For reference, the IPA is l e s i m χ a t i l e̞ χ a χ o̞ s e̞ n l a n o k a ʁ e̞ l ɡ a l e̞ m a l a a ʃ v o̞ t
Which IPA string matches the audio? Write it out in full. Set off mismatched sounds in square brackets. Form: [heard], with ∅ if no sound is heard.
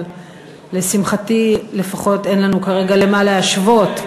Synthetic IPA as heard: l e s i m χ a t i l e̞ [f] a χ o̞ [t] e̞ n l a n [u] k a ʁ e̞ [∅] ɡ a l e̞ m a l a a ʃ v o̞ t